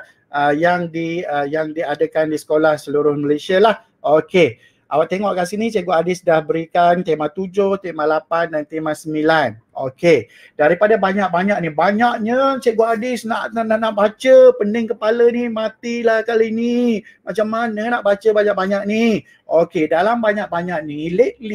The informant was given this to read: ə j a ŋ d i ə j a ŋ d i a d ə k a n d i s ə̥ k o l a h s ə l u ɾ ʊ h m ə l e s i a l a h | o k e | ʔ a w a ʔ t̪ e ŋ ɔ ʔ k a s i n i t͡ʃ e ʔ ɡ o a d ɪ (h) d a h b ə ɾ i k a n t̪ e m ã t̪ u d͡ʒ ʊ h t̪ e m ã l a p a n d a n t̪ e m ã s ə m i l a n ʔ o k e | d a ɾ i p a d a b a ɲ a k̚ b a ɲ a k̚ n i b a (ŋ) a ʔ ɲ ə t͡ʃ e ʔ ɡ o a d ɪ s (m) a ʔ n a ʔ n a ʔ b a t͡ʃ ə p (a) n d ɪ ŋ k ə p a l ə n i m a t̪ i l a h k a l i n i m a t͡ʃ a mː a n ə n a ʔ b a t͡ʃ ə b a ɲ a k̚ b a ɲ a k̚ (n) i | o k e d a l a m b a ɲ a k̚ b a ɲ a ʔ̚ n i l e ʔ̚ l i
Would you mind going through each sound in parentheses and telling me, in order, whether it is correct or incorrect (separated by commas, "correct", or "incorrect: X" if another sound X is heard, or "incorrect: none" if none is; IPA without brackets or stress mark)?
incorrect: s, incorrect: ɲ, incorrect: n, incorrect: ə, correct